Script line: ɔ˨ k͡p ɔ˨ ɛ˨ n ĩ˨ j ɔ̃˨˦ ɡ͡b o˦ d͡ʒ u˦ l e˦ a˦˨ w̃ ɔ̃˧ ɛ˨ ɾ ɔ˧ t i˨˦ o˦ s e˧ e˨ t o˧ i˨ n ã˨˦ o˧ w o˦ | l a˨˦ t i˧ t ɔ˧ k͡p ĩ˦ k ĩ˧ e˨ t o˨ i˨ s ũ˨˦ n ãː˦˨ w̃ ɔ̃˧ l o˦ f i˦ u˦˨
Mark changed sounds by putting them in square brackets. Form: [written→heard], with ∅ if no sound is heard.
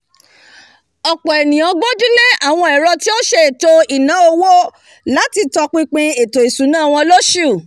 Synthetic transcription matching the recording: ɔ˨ k͡p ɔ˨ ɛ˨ n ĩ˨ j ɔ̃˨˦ ɡ͡b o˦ d͡ʒ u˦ l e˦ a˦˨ w̃ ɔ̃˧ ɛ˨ ɾ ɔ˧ t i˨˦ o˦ [s→ʃ] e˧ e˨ t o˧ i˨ n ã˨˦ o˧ w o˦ | l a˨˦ t i˧ t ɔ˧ k͡p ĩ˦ [k→k͡p] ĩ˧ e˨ t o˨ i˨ s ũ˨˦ n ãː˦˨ w̃ ɔ̃˧ l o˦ [f→ʃ] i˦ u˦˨